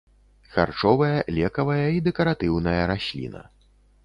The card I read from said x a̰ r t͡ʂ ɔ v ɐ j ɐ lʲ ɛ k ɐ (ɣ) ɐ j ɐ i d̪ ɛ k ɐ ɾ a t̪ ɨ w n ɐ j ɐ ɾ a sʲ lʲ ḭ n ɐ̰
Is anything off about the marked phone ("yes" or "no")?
yes